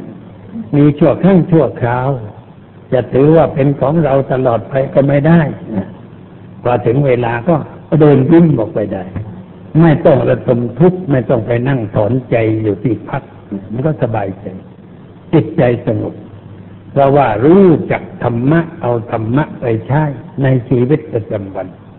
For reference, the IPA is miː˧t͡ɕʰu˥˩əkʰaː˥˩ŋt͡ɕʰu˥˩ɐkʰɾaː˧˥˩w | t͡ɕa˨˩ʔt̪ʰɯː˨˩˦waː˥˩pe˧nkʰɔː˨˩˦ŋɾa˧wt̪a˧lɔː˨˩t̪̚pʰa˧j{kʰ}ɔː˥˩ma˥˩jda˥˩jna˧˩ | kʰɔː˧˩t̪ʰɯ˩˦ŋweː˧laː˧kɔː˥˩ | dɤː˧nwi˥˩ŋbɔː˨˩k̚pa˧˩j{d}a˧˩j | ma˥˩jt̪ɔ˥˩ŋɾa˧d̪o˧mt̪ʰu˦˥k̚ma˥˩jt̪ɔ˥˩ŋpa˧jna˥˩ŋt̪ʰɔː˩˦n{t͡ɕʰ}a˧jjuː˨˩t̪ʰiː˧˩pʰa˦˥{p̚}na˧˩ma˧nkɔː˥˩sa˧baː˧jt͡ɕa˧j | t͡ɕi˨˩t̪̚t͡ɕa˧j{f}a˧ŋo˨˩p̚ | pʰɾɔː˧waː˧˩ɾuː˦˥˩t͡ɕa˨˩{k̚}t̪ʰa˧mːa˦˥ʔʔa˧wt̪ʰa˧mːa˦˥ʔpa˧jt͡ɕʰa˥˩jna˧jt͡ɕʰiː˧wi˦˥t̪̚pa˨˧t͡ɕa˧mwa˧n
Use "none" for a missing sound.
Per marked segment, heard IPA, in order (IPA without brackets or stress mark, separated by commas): k, d, t͡ɕ, k̚, s, k̚